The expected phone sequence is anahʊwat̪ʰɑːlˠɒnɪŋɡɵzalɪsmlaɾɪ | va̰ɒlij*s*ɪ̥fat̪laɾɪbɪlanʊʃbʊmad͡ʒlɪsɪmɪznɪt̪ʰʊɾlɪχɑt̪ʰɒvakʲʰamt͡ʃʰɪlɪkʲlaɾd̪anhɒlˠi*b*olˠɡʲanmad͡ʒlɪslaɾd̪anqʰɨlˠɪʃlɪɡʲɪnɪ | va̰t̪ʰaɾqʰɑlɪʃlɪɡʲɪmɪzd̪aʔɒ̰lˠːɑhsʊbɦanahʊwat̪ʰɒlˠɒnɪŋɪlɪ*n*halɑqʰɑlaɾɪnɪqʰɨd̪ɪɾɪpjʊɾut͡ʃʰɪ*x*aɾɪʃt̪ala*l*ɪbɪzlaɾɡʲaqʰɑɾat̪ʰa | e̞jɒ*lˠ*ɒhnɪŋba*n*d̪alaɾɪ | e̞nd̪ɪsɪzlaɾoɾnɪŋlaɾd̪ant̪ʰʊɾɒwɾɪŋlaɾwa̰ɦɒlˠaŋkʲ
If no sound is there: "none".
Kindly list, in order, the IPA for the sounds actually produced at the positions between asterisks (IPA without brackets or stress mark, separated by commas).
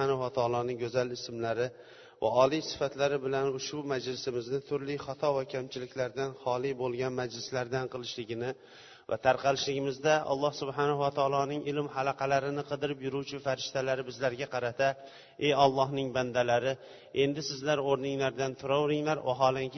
s, b, m, f, ɾ, lˠː, n